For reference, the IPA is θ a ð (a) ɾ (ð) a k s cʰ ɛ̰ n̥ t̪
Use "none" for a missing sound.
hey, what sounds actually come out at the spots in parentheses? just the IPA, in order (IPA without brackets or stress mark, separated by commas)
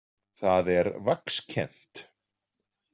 ɛ, v